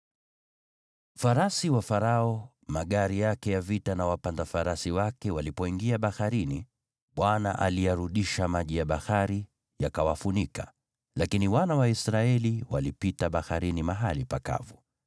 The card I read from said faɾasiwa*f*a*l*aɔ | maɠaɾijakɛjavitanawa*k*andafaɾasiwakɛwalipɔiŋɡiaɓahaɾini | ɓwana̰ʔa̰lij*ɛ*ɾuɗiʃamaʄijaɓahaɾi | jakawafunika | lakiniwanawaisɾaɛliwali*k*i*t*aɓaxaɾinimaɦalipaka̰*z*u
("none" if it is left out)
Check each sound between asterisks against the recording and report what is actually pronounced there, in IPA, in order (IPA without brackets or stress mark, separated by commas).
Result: f, ɾ, p, a, p, t, v